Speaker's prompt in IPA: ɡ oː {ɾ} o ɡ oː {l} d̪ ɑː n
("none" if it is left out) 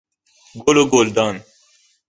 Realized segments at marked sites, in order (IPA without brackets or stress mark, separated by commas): l, l